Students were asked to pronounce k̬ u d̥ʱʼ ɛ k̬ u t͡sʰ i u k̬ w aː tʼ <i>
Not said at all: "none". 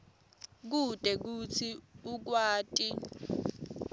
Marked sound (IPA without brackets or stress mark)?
i